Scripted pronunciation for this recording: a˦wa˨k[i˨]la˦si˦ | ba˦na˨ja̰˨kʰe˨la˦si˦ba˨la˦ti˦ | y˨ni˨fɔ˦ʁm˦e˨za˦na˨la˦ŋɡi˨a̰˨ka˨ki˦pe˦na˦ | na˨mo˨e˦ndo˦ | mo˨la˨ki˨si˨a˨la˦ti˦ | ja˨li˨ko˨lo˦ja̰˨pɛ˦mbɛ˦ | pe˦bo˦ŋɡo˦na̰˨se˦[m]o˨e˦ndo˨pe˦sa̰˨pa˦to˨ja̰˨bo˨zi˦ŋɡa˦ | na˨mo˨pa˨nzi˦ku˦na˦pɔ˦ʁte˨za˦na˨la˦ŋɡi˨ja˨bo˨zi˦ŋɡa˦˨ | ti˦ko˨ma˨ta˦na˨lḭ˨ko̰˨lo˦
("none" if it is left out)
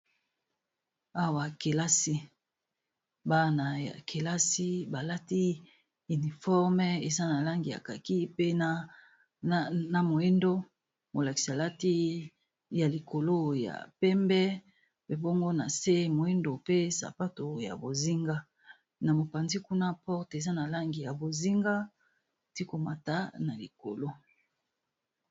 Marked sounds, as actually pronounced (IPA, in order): e˨, m

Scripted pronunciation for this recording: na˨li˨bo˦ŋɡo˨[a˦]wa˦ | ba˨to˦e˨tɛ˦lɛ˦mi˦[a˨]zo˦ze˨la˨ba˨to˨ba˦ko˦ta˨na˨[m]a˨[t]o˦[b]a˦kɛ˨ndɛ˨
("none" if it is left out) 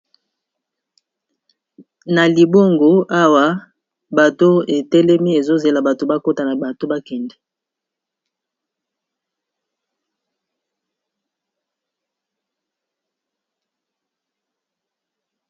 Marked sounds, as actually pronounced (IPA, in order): a˦, e˨, b, t, b

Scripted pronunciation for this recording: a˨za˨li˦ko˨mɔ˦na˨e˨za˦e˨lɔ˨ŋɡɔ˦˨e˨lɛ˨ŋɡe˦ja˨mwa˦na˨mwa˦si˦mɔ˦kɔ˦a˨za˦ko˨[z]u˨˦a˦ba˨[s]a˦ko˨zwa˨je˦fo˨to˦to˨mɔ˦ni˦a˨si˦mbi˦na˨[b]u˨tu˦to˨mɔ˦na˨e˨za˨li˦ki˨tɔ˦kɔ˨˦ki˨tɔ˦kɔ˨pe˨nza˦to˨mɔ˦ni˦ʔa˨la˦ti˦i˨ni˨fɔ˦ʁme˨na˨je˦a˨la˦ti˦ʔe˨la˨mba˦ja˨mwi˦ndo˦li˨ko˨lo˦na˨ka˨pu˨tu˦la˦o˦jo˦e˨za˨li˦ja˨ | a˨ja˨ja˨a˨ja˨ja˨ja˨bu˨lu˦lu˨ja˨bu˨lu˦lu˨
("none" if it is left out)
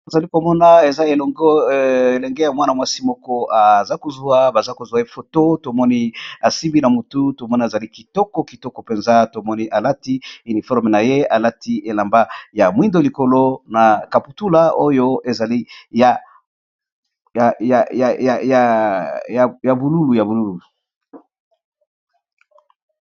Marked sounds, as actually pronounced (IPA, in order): z, z, m

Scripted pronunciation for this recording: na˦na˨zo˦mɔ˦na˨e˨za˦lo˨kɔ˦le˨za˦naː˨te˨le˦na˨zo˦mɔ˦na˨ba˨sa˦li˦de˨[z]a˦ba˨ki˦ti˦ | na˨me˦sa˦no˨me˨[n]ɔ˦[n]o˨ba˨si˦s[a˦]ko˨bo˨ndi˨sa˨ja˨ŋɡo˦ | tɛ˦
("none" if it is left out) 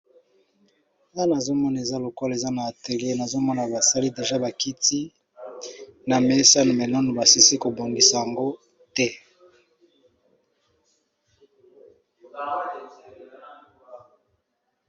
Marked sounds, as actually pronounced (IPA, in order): ʒ, n, n, i˦

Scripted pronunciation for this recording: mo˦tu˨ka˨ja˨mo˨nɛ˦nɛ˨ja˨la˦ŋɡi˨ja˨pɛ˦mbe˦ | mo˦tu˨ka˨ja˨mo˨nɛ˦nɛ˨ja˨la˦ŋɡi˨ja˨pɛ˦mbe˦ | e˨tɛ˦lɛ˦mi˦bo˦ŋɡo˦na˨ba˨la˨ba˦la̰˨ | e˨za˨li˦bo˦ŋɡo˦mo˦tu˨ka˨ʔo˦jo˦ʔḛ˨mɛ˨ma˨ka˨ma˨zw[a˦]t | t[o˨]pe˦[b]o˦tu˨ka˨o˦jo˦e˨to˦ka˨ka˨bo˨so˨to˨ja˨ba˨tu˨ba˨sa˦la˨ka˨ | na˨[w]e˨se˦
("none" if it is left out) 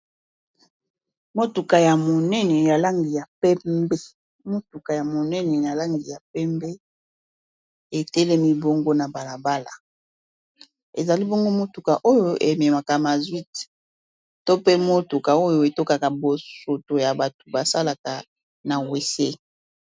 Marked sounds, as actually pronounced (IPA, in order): i˦, o˦, m, w

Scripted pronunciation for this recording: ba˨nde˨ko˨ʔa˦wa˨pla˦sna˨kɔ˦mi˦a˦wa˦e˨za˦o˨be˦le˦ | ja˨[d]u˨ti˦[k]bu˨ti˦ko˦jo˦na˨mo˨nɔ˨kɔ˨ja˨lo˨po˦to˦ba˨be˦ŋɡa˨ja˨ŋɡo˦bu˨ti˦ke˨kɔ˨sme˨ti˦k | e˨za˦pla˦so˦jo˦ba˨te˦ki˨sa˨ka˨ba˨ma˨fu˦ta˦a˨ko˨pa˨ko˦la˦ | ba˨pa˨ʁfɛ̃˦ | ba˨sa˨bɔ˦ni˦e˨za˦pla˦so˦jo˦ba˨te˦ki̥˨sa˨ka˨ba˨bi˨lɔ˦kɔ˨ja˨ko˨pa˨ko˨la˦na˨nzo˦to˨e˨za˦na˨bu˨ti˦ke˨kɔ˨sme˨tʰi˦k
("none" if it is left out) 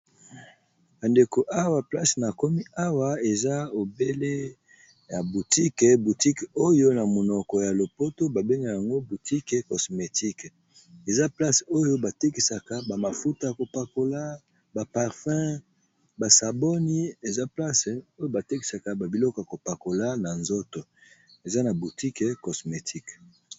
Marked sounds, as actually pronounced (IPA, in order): b, k

